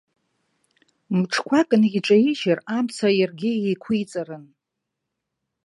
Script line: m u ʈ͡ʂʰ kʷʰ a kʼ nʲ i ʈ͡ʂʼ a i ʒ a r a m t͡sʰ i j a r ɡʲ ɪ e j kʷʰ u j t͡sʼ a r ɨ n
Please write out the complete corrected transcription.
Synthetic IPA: m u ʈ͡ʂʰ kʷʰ a kʼ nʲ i ʈ͡ʂʼ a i ʒ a r a m t͡sʰ a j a r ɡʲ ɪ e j kʷʰ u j t͡sʼ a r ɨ n